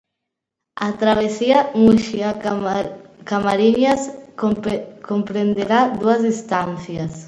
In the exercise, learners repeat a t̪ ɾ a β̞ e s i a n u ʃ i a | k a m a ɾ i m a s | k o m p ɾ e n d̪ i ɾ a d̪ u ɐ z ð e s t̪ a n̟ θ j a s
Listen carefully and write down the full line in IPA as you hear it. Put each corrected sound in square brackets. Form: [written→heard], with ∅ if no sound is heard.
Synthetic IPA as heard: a t̪ ɾ a β̞ e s i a [n→m] u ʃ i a | k a m a ɾ i [m→ɲ] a s | k o m p ɾ e n d̪ [i→e] ɾ a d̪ u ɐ z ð [e→i] s t̪ a n̟ θ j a s

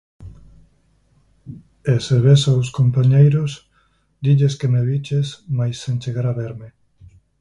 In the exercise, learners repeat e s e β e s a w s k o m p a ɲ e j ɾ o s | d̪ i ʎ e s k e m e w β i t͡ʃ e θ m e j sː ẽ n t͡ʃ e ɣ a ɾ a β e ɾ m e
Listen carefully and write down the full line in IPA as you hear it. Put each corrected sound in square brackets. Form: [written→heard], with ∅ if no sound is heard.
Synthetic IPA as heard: e s e β e s a w s k o m p a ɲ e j ɾ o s | d̪ i ʎ e s k e m e [w→∅] β i t͡ʃ e [θ→s] m [e→a] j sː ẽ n t͡ʃ e ɣ a ɾ a β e ɾ m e

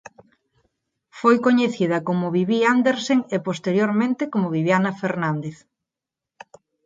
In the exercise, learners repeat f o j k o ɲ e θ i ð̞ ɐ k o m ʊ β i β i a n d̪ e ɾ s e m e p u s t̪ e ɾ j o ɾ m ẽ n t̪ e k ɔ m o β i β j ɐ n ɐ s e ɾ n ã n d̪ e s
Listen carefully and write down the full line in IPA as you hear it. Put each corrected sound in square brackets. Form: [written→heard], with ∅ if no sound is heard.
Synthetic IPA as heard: f o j k o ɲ e θ i ð̞ ɐ k o m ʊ β i β i a n d̪ e ɾ s e [m→ŋ] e p [u→o] s t̪ e ɾ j o ɾ m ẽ n t̪ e k [ɔ→o] m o β i β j [ɐ→a] n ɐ [s→f] e ɾ n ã n d̪ e [s→θ]

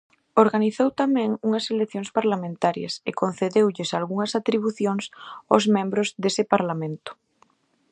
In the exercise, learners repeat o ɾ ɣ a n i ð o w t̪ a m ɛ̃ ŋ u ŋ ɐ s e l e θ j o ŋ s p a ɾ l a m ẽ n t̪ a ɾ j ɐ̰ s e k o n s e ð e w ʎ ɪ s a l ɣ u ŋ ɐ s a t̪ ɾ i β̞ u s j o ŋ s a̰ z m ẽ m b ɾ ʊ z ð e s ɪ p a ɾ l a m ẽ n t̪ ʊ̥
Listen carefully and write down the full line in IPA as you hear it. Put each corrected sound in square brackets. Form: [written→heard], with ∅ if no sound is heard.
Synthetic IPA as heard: o ɾ ɣ a n i [ð→θ] o w t̪ a m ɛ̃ ŋ u ŋ ɐ s e l e θ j o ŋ s p a ɾ l a m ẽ n t̪ a ɾ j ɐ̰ s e k o n [s→θ] e ð e w ʎ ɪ s a l ɣ u ŋ ɐ s a t̪ ɾ i β̞ u [s→θ] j o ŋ s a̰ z m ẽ m b ɾ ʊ z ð e s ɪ p a ɾ l a m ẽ n t̪ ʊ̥

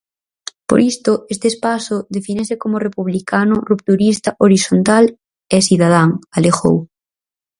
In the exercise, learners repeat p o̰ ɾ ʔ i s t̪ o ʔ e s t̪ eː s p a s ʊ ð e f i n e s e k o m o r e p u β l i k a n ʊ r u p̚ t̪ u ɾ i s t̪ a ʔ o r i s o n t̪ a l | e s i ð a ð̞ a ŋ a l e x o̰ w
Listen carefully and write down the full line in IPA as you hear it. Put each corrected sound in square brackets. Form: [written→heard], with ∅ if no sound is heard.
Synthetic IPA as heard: p o̰ ɾ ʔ i s t̪ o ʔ e s t̪ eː s p a s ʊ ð e f i n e s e k o m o r e p u β l i k a n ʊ r u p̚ t̪ u ɾ i s t̪ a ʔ o [r→ɾ] i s o n t̪ a l | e s i ð a ð̞ a ŋ a l e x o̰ w

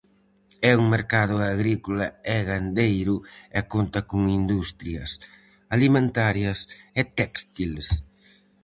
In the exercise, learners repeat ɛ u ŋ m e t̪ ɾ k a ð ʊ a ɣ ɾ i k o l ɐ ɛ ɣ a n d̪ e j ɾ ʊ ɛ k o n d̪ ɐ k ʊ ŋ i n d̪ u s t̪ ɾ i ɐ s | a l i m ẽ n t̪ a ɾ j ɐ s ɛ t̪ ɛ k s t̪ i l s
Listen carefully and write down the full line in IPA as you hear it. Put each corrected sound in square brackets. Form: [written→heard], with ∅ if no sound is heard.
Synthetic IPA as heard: ɛ u ŋ m e [t̪→∅] ɾ k a ð ʊ a ɣ ɾ i k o l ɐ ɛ ɣ a n d̪ e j ɾ ʊ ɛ k o n [d̪→t̪] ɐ k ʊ ŋ i n d̪ u s t̪ ɾ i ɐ s | a l i m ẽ n t̪ a ɾ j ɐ s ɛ t̪ ɛ k s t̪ i l s

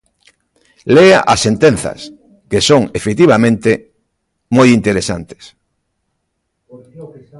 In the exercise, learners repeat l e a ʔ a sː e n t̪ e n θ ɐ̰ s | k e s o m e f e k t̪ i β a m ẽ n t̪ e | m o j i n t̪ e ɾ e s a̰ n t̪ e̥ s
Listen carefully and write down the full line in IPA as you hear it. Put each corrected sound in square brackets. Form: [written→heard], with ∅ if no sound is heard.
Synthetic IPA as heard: l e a ʔ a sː e n t̪ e n θ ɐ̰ s | k e s o [m→ŋ] e f e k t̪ i β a m ẽ n t̪ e | m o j i n t̪ e ɾ e s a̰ n t̪ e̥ s

